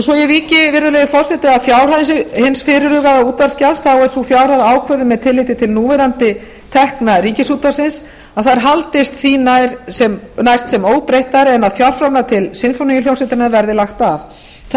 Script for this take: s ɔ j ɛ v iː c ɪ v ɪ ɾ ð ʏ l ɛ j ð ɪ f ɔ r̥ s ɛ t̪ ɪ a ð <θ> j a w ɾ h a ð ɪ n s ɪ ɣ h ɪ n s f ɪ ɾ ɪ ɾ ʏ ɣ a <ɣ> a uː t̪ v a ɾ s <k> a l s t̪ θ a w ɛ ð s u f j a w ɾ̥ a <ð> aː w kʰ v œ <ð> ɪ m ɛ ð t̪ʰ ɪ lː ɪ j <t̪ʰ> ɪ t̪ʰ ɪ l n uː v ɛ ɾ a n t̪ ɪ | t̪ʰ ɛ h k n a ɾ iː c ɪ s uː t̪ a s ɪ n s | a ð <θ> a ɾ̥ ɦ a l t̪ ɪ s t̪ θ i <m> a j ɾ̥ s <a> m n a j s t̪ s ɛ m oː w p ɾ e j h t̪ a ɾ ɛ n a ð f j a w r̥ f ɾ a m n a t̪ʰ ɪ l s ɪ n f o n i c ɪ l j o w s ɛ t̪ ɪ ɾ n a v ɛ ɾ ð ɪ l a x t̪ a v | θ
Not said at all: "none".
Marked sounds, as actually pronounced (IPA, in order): f, ð, c, ð, ð, t̪, θ, n, ɛ

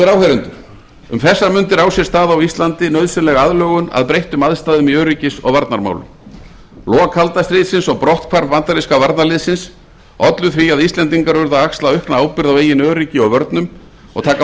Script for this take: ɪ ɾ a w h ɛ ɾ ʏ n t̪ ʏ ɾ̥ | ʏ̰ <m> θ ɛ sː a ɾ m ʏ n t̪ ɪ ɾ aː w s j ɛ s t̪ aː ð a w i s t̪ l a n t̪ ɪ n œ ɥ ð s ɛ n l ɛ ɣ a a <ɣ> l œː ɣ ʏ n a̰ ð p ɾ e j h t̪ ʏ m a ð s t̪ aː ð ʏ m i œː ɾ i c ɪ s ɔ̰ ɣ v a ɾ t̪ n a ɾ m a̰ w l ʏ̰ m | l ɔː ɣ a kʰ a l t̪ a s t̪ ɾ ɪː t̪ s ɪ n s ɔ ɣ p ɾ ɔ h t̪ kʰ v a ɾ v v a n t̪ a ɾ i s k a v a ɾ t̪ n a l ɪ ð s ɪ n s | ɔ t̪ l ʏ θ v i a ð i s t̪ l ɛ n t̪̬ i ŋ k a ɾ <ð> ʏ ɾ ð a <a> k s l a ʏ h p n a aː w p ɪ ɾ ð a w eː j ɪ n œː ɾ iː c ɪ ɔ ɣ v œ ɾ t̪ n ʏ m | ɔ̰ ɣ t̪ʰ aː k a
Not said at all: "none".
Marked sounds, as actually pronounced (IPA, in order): m, ð, v, a

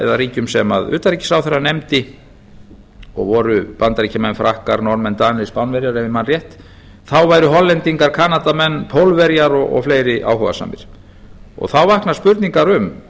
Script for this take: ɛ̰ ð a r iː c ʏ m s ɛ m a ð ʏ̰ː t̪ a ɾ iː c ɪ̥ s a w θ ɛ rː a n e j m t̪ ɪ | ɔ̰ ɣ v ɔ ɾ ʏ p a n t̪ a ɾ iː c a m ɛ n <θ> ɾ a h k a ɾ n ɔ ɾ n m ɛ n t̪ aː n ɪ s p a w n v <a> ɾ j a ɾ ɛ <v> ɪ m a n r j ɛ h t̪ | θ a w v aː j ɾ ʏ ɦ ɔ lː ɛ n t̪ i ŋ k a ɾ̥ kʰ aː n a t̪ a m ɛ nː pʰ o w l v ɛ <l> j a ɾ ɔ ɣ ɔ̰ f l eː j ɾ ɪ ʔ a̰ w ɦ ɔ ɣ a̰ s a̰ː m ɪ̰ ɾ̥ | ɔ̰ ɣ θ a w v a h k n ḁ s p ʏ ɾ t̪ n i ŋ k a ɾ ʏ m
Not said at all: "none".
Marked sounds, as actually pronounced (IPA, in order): f, ɛ, v, ɾ

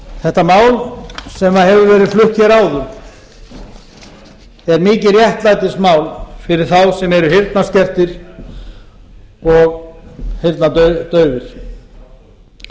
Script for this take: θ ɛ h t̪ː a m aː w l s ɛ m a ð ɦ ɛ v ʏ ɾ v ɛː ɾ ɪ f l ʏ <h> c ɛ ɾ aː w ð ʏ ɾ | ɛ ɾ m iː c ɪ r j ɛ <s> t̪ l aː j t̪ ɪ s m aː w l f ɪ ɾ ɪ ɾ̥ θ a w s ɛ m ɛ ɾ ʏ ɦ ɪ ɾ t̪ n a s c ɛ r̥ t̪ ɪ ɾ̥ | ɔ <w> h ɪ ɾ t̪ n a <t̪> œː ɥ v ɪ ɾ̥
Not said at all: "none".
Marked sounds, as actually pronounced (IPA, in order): h, h, ɣ, t̪

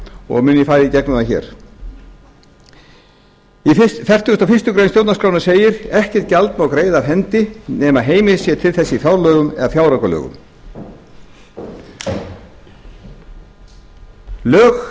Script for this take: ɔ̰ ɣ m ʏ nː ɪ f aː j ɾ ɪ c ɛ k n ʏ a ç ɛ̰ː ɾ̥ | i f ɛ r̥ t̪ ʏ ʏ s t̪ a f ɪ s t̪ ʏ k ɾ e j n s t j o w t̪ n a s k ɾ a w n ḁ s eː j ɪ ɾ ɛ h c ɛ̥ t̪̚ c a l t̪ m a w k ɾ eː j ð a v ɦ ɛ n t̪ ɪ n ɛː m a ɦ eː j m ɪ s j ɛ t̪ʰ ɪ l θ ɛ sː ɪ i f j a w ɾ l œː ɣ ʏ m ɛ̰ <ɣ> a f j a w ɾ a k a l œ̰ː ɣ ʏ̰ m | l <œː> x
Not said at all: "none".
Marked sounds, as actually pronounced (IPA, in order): ð, œː

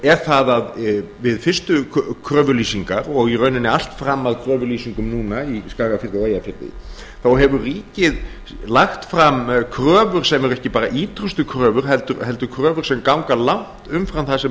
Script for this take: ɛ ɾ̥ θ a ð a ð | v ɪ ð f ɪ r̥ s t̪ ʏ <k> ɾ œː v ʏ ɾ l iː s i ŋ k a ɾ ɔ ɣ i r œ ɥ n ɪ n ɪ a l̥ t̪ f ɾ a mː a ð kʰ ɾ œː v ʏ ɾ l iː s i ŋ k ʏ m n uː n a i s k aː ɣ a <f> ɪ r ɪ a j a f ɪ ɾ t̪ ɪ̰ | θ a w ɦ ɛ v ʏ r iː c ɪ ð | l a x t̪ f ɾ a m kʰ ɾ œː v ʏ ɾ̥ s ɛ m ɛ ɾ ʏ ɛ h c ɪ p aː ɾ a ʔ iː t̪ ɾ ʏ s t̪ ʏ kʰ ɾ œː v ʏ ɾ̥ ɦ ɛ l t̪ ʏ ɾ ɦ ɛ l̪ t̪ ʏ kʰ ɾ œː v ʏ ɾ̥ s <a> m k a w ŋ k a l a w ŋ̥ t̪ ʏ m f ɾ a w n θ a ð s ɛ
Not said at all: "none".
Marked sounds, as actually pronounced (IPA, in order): kʰ, f, ɛ

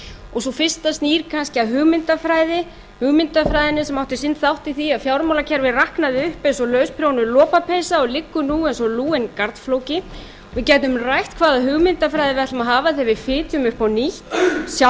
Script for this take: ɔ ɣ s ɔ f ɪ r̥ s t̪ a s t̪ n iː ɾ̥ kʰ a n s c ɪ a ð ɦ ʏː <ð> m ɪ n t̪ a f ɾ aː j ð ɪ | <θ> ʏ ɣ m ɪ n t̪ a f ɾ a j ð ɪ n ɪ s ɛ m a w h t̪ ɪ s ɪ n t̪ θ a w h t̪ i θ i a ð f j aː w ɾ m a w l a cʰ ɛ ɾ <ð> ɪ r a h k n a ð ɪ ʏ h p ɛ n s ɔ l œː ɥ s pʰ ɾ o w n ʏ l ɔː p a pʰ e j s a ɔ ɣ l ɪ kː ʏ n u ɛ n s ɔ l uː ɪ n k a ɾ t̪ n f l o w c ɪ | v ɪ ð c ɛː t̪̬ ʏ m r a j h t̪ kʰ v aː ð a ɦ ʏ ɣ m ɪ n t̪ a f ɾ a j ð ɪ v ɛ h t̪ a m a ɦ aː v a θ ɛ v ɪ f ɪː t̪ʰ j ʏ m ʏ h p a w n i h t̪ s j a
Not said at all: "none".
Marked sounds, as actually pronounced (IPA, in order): ɣ, h, v

